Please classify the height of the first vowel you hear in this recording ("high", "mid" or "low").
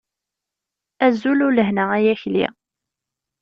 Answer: low